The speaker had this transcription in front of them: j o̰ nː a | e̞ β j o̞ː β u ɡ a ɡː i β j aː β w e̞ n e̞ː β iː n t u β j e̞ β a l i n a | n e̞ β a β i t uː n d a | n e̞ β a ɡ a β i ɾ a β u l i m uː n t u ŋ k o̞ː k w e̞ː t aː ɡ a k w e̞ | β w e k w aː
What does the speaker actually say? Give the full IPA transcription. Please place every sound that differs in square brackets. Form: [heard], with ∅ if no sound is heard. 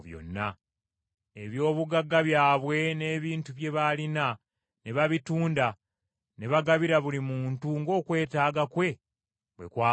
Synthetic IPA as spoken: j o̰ nː a | e̞ β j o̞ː β u ɡ a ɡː [a] β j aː β w e̞ n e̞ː β iː n t u β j e̞ β a l i n a | n e̞ β a β i t uː n d a | n e̞ β a ɡ a β i ɾ a β u l i m uː n t u ŋ [ɡ] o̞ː k w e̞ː t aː ɡ a k w e̞ | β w e k w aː